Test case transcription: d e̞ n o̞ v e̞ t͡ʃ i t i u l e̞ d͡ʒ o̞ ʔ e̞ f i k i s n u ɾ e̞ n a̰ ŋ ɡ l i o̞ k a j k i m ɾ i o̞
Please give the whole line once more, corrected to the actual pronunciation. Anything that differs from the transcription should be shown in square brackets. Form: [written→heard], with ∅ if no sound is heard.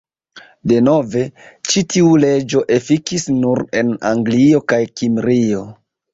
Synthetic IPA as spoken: d e̞ n o̞ v e̞ t͡ʃ i t i u l e̞ d͡ʒ o̞ ʔ e̞ f i k i s n u ɾ e̞ n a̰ ŋ ɡ l i o̞ k a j k i m ɾ i o̞

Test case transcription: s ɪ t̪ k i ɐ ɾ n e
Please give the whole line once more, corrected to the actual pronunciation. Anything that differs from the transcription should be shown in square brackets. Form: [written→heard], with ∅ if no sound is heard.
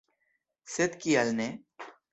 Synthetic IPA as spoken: s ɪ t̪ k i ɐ [ɾ→l] n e

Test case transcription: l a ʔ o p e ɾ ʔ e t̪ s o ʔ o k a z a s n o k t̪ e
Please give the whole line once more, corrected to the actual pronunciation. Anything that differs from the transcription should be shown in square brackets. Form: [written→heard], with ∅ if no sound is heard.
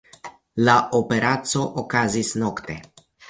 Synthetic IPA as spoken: l a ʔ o p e ɾ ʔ [e→a] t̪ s o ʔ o k a z [a→i] s n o k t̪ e

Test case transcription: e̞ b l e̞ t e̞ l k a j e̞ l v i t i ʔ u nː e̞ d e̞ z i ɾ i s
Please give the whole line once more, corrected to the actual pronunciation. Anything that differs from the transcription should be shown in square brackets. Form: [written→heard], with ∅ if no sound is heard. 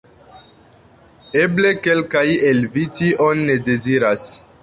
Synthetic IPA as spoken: e̞ b l e̞ [t→k] e̞ l k a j e̞ l v i t i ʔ [u→o] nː e̞ d e̞ z i ɾ [i→a] s

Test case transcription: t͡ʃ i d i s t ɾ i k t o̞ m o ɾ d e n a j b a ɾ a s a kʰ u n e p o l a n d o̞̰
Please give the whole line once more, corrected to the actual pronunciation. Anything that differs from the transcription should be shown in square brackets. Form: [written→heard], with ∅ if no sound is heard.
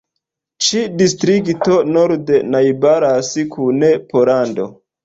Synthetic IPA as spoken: t͡ʃ i d i s t ɾ i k t o̞ [m→n] o ɾ d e n a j b a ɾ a s [a→i] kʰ u n e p o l a n d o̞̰

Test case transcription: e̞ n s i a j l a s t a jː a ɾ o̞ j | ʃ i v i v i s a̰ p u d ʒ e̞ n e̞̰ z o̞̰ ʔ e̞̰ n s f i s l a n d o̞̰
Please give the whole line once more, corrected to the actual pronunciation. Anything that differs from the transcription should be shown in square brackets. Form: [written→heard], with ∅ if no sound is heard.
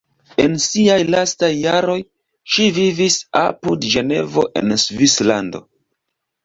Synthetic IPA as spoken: e̞ n s i a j l a s t a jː a ɾ o̞ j | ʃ i v i v i s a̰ p u d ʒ e̞ n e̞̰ [z→v] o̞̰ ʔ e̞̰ n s [f→v] i s l a n d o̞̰

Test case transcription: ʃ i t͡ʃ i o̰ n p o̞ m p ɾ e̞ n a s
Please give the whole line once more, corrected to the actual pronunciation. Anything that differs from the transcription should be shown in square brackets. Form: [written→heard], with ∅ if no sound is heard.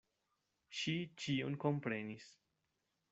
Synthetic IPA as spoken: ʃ i t͡ʃ i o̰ n [p→k] o̞ m p ɾ e̞ n [a→i] s

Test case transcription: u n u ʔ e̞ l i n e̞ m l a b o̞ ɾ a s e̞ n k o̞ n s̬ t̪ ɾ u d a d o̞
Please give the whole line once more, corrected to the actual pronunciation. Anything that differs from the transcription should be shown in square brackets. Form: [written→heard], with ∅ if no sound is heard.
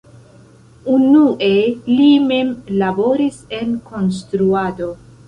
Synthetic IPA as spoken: u n u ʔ e̞ l i [n→m] e̞ m l a b o̞ ɾ [a→i] s e̞ n k o̞ n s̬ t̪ ɾ u [d→∅] a d o̞

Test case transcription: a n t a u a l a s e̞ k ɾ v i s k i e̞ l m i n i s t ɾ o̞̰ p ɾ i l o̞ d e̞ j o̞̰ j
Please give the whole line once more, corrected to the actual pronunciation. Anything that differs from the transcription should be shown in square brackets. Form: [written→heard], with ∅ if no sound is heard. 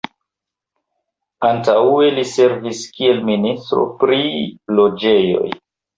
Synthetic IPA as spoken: a n t a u [a→e] l [a→i] s e̞ [k→∅] ɾ v i s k i e̞ l m i n i s t ɾ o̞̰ p ɾ i l o̞ [d→d͡ʒ] e̞ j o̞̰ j

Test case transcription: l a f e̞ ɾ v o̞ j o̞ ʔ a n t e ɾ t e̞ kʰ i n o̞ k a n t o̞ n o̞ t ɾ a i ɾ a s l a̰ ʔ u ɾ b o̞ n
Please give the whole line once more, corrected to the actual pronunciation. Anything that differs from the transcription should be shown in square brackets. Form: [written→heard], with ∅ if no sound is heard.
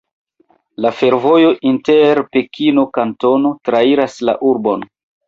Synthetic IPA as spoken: l a f e̞ ɾ v o̞ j o̞ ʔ [a→i] n t e ɾ [t→p] e̞ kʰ i n o̞ k a n t o̞ n o̞ t ɾ a i ɾ a s l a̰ ʔ u ɾ b o̞ n

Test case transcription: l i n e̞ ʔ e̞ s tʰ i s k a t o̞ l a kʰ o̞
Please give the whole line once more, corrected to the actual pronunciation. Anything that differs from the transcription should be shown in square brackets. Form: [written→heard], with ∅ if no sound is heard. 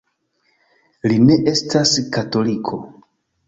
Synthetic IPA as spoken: l i n e̞ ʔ e̞ s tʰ [i→a] s k a t o̞ l [a→i] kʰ o̞

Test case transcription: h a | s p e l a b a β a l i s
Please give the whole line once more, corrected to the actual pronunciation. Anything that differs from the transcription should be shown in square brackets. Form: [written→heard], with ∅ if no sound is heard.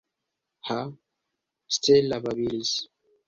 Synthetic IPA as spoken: h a | s [p→t] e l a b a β [a→i] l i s

